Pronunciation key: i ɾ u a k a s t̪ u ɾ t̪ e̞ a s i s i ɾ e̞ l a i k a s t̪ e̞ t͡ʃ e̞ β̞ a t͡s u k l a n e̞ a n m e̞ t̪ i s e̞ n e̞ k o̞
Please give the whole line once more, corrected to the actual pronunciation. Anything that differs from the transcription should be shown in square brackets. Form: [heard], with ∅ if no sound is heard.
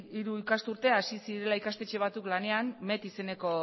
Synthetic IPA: i ɾ u [i] k a s t̪ u ɾ t̪ e̞ a s i s i ɾ e̞ l a i k a s t̪ e̞ t͡ʃ e̞ β̞ a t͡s u k l a n e̞ a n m e̞ t̪ i s e̞ n e̞ k o̞

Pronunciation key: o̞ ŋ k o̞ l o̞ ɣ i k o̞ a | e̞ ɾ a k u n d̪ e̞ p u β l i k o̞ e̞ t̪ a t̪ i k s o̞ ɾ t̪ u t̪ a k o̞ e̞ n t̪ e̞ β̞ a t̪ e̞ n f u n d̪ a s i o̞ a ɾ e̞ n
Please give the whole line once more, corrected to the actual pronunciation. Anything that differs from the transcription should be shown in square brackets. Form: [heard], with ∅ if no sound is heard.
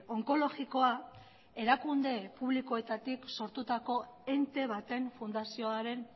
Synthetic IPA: o̞ ŋ k o̞ l o̞ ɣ i k o̞ a | e̞ ɾ a k u n d̪ e̞ p u β l i k o̞ e̞ t̪ a t̪ i k s o̞ ɾ t̪ u t̪ a k o̞ e̞ n t̪ e̞ β̞ a t̪ e̞ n f u n d̪ a s i o̞ a ɾ e̞ n

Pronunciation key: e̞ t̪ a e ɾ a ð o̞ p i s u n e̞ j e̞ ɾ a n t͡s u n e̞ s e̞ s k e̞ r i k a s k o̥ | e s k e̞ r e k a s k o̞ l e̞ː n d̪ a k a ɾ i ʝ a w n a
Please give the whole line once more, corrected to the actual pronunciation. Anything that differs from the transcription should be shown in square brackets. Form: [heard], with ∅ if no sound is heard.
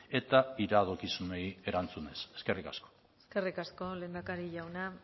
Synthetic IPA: e̞ t̪ a [i] ɾ a ð o̞ [k] i s u n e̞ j e̞ ɾ a n t͡s u n e̞ s e̞ s k e̞ r i k a s k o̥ | e s k e̞ r [i] k a s k o̞ l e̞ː n d̪ a k a ɾ i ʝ a w n a

